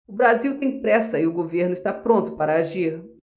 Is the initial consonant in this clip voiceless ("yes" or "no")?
no